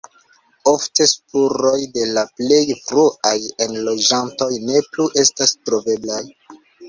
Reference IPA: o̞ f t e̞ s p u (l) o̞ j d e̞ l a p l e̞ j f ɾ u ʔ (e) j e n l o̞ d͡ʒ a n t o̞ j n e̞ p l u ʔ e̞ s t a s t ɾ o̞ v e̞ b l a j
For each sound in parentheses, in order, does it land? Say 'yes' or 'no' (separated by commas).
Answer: no, no